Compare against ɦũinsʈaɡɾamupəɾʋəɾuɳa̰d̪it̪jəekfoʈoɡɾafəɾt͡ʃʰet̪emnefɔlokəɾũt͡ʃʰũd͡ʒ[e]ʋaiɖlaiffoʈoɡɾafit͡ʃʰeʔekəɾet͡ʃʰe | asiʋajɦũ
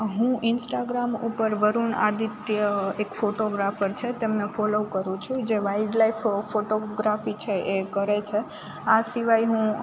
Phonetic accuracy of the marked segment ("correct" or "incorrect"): correct